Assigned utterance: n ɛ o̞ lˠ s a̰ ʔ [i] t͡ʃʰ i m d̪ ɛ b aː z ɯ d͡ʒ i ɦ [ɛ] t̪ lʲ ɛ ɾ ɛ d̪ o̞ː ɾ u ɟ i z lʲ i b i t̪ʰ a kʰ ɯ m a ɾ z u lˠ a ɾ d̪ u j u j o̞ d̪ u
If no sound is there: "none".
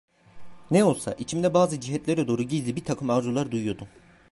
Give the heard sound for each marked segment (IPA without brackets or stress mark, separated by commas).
i, ɛ